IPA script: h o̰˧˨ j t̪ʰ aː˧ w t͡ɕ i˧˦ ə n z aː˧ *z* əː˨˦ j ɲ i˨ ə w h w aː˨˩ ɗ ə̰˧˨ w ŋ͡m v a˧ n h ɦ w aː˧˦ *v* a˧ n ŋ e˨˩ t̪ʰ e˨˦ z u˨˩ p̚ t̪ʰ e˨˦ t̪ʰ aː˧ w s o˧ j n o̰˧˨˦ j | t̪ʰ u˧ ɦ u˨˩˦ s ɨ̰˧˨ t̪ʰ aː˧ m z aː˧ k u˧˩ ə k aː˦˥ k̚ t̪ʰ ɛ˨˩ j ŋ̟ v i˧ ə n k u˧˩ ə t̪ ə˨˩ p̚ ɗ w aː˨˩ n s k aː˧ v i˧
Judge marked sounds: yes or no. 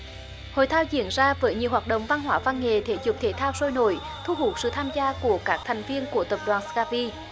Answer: no, yes

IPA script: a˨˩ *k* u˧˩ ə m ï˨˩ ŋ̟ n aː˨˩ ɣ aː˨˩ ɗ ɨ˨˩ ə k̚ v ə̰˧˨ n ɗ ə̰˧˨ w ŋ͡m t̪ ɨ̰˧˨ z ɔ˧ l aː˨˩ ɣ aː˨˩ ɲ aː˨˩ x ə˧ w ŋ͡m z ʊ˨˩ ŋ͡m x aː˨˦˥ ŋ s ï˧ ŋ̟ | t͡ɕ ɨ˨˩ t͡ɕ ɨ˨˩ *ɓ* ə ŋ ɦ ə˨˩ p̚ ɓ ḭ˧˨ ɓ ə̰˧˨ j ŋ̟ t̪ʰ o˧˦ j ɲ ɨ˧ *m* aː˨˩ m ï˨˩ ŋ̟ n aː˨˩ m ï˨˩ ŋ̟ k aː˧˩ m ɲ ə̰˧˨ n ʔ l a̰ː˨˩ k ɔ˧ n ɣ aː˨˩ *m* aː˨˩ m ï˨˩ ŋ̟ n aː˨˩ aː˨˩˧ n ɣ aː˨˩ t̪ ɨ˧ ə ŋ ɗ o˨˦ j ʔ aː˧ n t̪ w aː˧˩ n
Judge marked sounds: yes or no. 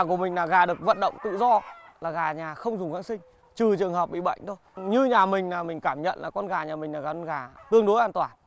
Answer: yes, no, no, no

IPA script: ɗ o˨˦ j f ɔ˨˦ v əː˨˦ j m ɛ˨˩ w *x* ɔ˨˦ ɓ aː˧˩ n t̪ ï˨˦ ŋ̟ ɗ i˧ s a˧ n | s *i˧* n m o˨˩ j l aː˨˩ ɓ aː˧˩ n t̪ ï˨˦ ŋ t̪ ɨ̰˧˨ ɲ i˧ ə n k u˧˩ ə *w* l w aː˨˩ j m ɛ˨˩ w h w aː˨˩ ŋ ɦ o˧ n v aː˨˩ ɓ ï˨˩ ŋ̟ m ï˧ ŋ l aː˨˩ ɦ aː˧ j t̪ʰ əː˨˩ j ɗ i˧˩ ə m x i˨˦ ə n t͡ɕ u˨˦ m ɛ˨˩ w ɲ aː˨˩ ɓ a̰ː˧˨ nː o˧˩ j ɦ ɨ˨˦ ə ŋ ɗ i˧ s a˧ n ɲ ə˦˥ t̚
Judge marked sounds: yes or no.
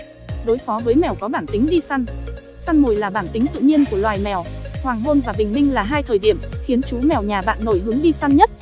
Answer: no, no, no

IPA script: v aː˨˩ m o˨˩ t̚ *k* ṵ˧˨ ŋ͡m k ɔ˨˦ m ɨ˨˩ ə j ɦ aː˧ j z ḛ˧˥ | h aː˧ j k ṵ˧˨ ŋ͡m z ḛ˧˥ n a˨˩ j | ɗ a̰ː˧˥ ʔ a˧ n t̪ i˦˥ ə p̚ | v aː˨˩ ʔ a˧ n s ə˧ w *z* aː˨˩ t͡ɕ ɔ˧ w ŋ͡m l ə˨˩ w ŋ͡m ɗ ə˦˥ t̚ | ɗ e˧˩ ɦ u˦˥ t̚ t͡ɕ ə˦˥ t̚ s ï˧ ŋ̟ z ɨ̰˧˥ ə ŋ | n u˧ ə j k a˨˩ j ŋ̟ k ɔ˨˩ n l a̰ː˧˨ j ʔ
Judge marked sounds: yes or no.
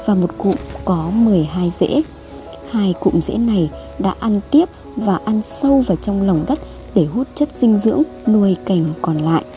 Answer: yes, no

